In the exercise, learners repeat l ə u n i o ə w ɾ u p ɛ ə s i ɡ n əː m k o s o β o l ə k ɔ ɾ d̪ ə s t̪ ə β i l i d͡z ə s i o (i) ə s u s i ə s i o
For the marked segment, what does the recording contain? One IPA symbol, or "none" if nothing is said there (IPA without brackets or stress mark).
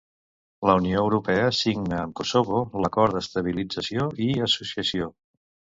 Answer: i